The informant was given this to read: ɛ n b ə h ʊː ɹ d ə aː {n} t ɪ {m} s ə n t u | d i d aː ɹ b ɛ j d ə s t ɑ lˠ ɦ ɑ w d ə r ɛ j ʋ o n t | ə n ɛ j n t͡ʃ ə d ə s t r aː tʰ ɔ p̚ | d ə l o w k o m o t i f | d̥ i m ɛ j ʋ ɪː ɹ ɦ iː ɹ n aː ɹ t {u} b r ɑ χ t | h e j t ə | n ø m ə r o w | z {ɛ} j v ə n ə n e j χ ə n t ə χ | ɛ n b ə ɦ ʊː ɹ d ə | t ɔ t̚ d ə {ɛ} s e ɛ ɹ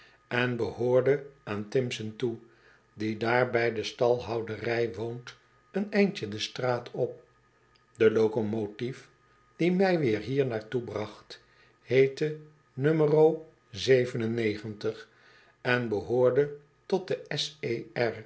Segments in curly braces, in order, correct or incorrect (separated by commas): correct, correct, correct, incorrect, correct